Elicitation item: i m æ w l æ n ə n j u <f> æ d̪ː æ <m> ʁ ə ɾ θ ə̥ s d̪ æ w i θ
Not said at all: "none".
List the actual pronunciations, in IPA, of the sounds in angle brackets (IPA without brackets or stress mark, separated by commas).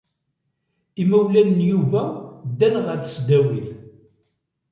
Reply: v, n